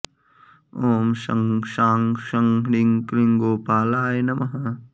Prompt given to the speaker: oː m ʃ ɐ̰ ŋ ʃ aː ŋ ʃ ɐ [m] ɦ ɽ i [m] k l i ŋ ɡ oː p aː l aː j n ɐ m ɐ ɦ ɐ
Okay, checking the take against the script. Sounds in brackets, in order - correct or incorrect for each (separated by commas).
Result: incorrect, incorrect